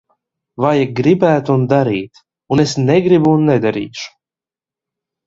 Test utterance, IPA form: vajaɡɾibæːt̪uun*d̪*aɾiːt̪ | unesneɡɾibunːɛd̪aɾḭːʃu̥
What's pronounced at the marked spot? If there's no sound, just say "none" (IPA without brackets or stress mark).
d̪